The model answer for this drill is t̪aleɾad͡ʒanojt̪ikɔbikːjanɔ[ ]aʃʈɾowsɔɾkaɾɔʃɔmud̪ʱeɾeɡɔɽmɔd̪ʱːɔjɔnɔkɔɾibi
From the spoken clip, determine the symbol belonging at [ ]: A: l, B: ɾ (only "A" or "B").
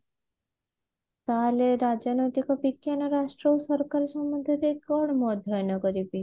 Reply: B